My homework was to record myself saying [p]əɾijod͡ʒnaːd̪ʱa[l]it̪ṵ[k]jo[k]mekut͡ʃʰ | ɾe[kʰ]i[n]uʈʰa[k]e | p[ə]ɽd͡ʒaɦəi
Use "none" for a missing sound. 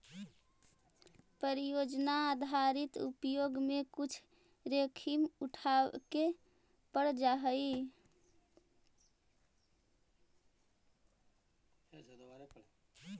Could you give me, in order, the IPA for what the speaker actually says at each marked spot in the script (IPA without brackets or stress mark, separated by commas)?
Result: p, ɾ, p, ɡ, kʰ, m, k, ə